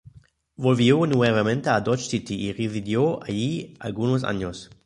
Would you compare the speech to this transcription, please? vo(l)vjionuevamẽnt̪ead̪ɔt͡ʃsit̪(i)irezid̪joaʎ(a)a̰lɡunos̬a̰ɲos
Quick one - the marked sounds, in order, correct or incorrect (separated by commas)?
correct, correct, incorrect